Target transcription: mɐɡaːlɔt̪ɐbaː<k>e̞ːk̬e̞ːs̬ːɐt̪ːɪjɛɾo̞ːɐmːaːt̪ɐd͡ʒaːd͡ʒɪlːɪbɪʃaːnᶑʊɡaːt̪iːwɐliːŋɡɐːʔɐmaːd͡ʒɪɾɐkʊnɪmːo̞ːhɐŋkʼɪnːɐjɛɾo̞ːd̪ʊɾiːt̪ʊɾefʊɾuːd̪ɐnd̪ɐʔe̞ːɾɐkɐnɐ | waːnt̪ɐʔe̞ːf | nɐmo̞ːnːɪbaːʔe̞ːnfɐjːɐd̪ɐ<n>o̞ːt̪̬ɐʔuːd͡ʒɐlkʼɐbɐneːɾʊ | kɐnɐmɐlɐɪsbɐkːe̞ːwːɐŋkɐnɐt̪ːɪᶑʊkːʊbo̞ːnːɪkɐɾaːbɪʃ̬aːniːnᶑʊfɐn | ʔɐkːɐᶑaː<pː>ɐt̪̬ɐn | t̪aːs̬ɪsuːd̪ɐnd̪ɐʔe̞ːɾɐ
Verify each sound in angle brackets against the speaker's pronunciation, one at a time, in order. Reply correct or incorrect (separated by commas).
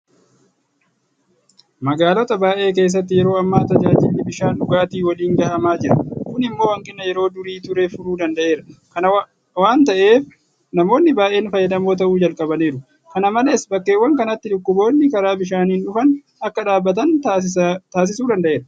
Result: incorrect, incorrect, incorrect